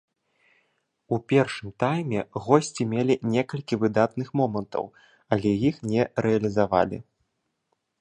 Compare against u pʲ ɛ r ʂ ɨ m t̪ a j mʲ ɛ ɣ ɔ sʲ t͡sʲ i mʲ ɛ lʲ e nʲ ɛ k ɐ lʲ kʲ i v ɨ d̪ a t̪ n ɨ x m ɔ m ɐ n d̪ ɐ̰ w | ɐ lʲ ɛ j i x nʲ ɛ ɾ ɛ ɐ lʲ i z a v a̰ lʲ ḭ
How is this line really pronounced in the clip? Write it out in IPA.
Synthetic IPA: u pʲ ɛ r ʂ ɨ m t̪ a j mʲ ɛ ɣ ɔ sʲ t͡sʲ i mʲ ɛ lʲ i nʲ ɛ k ɐ lʲ kʲ i v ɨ d̪ a t̪ n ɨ x m ɔ m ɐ n t̪ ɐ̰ w | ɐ lʲ ɛ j i x nʲ ɛ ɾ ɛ ɐ lʲ i z a v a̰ lʲ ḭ